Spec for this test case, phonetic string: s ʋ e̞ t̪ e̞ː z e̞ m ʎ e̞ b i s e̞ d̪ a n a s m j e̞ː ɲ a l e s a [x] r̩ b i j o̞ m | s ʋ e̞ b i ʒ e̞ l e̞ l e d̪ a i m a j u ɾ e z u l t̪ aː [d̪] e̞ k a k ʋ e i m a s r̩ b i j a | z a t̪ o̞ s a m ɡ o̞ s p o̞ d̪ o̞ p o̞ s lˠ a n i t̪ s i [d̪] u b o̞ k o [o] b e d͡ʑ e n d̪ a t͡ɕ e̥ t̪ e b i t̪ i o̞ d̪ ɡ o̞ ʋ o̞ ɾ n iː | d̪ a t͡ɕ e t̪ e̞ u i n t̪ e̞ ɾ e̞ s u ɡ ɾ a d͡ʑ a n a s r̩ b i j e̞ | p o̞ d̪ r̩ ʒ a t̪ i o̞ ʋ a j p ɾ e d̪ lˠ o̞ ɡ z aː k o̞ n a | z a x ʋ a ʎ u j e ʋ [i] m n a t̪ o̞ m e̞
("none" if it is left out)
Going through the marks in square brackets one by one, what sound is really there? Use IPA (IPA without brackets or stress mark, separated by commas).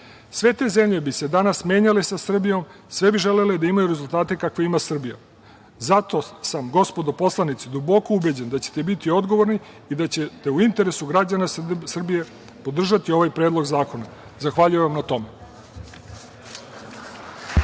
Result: s, t̪, d̪, u, a